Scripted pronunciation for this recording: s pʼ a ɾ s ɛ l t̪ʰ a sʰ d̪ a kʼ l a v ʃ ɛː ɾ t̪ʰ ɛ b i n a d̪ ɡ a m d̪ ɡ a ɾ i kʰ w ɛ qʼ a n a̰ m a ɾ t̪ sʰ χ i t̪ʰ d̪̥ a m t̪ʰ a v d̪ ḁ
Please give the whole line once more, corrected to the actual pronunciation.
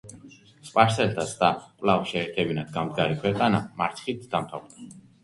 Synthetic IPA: s pʼ a ɾ s ɛ l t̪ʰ a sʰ d̪ a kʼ l a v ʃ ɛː ɾ t̪ʰ ɛ b i n a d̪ ɡ a m d̪ ɡ a ɾ i kʰ w ɛ qʼ a n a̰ m a ɾ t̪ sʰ χ i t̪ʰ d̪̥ a m t̪ʰ a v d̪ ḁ